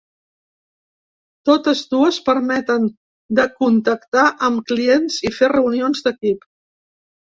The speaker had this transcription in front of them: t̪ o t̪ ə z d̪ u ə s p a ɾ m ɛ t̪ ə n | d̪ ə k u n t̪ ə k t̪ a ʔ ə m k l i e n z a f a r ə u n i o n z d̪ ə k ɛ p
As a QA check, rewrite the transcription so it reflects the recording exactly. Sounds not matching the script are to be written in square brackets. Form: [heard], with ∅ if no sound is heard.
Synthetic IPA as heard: t̪ o t̪ ə z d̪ u ə s p [ə] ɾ m ɛ t̪ ə n | d̪ ə k u n t̪ ə k t̪ a ʔ ə m k l i e n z [i] f [e] r ə u n i o n z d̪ ə k [i] p

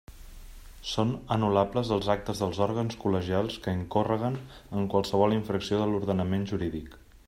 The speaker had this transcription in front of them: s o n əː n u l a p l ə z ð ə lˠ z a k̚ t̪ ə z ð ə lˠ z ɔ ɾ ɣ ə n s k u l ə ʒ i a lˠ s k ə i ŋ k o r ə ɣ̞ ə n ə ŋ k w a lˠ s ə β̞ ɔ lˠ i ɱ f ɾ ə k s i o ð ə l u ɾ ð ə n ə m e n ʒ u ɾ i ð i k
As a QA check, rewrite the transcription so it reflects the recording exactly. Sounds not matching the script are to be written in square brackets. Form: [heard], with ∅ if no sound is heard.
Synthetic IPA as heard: s o n [ə] n u l a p l ə z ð ə lˠ z a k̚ t̪ ə z ð ə lˠ z ɔ ɾ ɣ ə n s k u l ə ʒ i a lˠ s k ə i ŋ k o r ə ɣ̞ ə n ə ŋ k w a lˠ s ə β̞ ɔ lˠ i ɱ f ɾ ə k s i o ð ə l u ɾ ð ə n ə m e n ʒ u ɾ i ð i k

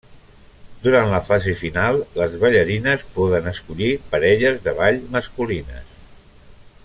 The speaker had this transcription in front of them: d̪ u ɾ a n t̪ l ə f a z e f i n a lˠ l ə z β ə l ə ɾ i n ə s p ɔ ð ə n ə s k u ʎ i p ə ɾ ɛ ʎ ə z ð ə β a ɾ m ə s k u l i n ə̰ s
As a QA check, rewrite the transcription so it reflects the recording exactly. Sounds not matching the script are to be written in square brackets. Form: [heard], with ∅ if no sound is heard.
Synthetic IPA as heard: d̪ u ɾ a n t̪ l ə f a z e f i n a lˠ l ə z β ə [ʎ] ə ɾ i n ə s p ɔ ð ə n ə s k u ʎ i p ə ɾ ɛ ʎ ə z ð ə β a [ʎ] m ə s k u l i n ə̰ s

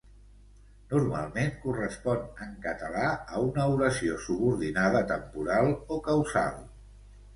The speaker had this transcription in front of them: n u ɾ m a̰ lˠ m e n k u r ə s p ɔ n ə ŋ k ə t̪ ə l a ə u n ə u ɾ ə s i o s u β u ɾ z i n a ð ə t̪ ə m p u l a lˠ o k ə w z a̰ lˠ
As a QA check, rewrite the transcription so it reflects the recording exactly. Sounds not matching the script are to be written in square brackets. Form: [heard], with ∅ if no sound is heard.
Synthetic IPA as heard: n u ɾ m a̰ lˠ m e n k u r ə s p ɔ n ə ŋ k ə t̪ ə l a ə u n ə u ɾ ə s i o s u β u ɾ [ð] i n a ð ə t̪ ə m p u [ɾ] a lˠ o k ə w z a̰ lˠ

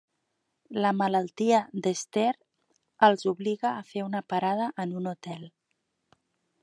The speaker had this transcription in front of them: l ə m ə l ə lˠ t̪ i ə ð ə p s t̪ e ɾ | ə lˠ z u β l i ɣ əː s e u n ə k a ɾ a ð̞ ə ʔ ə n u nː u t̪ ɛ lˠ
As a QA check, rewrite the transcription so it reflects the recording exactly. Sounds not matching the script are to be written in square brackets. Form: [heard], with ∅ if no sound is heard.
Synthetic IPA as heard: l ə m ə l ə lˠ t̪ i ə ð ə [∅] s t̪ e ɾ | ə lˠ z u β l i ɣ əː [f] e u n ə [p] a ɾ a ð̞ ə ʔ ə n u [n] u t̪ ɛ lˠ

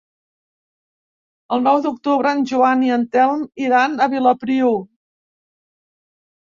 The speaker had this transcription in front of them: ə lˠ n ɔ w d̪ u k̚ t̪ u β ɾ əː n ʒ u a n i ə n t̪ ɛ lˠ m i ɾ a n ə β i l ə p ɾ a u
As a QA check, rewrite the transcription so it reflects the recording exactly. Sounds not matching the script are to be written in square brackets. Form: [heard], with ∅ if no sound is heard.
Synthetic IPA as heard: ə lˠ n ɔ w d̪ u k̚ t̪ u β ɾ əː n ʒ u a n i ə n t̪ ɛ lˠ m i ɾ a n ə β i l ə p ɾ [i] u

